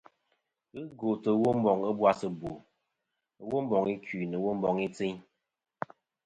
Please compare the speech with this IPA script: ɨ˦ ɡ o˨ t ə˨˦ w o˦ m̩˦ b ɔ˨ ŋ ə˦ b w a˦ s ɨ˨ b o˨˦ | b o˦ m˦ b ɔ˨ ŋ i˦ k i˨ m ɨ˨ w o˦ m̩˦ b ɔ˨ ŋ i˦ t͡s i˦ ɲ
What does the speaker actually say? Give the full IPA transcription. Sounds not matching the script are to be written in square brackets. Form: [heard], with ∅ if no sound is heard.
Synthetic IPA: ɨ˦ ɡ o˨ t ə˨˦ w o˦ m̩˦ b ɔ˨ ŋ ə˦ b w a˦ s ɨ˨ b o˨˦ | [w] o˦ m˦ b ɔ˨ ŋ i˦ k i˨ [n] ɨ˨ w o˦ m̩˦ b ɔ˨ ŋ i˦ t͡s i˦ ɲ